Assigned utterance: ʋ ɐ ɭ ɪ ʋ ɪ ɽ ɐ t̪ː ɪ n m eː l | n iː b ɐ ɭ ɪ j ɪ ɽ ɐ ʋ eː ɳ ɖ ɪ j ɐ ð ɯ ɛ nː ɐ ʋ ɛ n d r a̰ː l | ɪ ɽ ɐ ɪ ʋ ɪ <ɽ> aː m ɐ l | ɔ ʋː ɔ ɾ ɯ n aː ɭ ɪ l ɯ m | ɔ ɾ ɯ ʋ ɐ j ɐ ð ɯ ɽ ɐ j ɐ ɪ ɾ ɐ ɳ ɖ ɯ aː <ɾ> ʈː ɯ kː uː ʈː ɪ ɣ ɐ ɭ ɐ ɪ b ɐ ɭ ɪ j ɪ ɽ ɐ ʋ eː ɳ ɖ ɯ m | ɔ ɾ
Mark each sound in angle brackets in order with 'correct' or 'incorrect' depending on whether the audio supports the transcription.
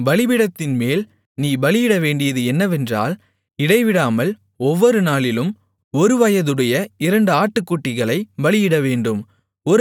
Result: correct, incorrect: none

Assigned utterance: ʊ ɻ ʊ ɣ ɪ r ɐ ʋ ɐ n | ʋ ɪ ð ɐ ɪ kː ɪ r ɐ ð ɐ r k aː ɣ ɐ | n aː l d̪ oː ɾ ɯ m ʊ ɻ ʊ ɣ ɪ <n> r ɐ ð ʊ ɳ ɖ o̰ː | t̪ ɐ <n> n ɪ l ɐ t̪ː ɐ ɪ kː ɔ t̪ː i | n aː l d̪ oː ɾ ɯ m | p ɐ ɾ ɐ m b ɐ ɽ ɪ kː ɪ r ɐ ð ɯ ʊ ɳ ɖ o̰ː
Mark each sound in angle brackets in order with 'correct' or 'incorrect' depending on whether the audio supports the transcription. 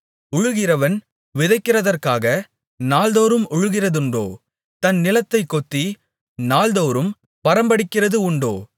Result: incorrect: none, correct

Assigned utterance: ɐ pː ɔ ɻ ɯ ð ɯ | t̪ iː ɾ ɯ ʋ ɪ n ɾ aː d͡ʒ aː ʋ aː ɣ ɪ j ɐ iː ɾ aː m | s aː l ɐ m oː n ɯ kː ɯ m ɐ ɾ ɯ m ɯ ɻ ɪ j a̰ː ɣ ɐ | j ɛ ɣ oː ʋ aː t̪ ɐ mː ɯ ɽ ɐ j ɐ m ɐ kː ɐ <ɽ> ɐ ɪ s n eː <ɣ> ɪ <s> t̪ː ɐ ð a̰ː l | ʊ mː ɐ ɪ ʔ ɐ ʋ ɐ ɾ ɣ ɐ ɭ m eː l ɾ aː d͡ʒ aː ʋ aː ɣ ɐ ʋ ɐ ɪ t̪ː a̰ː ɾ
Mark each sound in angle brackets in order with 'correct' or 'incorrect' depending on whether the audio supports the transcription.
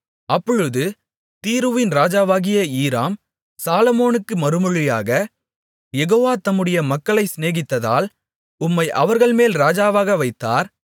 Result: incorrect: ɭ, correct, incorrect: none

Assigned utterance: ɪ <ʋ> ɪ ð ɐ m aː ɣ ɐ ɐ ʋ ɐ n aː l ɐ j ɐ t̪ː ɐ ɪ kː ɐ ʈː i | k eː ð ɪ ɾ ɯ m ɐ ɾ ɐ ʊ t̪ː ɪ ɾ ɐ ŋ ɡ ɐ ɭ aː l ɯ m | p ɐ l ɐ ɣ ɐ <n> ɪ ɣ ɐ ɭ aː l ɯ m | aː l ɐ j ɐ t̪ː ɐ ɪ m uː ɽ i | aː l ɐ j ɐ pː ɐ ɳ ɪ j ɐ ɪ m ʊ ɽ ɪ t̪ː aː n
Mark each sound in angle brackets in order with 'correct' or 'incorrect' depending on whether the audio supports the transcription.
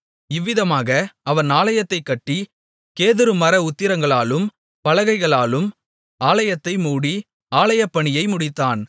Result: incorrect: ʋː, incorrect: none

